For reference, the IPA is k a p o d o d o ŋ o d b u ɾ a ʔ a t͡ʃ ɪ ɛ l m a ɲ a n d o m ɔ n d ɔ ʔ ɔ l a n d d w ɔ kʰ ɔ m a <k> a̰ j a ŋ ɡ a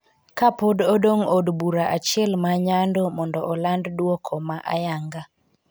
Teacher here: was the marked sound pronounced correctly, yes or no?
no